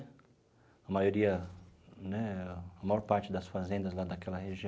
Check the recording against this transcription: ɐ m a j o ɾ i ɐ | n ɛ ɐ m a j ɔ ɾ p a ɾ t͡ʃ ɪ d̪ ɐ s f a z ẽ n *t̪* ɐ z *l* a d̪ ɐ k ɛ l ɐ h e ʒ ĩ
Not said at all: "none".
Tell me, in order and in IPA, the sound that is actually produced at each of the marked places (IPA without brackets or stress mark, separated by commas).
d̪, l